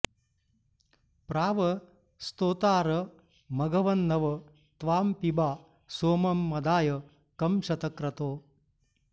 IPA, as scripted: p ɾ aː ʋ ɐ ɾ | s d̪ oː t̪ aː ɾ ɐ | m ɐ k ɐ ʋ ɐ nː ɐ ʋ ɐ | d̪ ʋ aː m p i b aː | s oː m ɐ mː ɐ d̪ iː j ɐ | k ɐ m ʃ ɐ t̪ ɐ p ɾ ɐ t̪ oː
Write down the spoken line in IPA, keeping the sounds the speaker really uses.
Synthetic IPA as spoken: p ɾ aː ʋ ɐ | s t̪ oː t̪ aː ɾ ɐ | m ɐ ɡ ɐ ʋ ɐ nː ɐ ʋ ɐ | t̪ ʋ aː m p i b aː | s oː m ɐ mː ɐ d̪ aː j ɐ | k ɐ m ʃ ɐ t̪ ɐ k ɾ ɐ t̪ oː